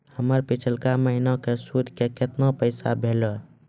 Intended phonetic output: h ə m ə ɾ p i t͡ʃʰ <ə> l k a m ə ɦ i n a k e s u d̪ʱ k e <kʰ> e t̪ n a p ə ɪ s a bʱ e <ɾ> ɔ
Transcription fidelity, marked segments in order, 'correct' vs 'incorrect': correct, incorrect, incorrect

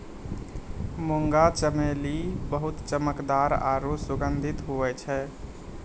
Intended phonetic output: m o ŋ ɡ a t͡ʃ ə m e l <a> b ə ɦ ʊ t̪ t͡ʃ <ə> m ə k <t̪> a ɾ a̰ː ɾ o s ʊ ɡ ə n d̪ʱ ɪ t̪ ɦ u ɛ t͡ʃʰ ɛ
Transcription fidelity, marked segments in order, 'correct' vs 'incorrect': incorrect, correct, incorrect

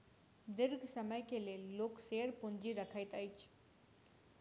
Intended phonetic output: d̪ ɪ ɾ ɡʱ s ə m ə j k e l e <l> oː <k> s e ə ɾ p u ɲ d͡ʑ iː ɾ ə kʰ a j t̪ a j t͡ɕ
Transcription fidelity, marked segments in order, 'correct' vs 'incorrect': incorrect, correct

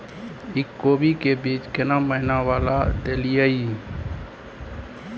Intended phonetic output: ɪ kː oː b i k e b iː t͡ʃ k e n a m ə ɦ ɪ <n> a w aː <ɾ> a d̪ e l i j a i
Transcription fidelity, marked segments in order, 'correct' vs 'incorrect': correct, incorrect

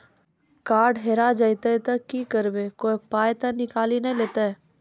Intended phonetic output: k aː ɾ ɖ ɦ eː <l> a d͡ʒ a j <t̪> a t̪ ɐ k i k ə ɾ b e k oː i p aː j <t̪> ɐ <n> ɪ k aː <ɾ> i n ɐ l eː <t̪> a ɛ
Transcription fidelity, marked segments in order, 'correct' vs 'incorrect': incorrect, correct, correct, correct, incorrect, correct

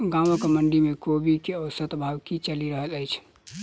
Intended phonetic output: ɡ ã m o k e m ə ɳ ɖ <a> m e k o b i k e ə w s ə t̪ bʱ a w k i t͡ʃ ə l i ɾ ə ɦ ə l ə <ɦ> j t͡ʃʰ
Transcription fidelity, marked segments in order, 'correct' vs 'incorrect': incorrect, incorrect

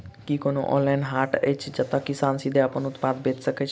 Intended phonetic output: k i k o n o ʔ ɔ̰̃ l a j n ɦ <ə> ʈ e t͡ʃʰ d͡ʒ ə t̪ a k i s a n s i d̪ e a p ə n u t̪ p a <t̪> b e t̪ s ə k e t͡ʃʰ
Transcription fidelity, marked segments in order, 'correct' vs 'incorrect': incorrect, incorrect

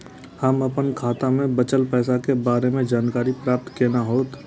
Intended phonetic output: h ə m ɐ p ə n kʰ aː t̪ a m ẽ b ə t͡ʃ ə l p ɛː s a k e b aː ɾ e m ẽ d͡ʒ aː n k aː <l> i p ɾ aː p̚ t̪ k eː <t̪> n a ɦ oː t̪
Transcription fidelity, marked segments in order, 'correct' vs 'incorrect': incorrect, incorrect

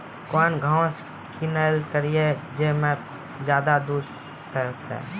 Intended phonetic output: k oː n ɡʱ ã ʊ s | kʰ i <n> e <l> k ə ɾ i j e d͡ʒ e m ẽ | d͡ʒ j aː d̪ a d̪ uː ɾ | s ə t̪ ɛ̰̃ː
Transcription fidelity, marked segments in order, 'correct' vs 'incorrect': correct, correct

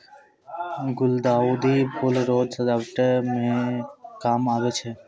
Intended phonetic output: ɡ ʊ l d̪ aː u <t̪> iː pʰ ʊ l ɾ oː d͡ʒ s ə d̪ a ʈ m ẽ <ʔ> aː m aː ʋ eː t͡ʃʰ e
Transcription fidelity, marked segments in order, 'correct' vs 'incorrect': incorrect, incorrect

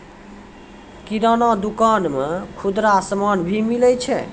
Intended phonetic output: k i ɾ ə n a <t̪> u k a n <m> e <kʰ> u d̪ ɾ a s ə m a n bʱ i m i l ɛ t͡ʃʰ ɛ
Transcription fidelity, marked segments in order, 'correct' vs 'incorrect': incorrect, correct, correct

